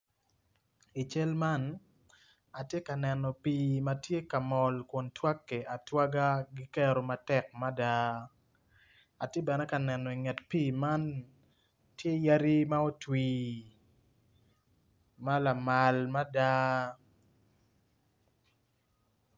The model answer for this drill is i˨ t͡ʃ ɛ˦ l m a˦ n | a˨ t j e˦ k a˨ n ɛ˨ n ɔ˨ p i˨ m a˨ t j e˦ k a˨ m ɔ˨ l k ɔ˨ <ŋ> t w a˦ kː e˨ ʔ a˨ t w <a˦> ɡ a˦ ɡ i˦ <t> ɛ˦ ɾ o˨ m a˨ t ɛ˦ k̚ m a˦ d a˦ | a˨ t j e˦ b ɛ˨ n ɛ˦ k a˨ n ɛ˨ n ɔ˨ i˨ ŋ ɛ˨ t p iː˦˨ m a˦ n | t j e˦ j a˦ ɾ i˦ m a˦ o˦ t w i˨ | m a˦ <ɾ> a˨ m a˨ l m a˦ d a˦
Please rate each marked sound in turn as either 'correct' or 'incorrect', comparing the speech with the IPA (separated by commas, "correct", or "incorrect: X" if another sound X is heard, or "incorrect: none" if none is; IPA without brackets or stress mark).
incorrect: n, correct, incorrect: k, incorrect: l